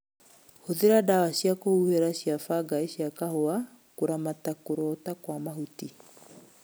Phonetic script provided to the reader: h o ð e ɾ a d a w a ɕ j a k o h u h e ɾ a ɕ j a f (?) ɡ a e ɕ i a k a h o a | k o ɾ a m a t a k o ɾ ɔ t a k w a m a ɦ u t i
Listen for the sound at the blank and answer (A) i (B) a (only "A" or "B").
B